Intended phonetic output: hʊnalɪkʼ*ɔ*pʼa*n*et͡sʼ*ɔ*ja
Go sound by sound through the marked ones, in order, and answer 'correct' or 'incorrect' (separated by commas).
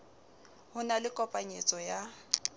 correct, incorrect, correct